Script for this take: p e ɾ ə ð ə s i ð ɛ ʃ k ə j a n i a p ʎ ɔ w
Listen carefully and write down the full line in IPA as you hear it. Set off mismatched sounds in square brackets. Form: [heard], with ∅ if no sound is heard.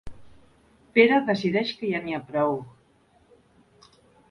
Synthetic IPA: p e ɾ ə ð ə s i ð ɛ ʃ k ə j a n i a p [ɾ] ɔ w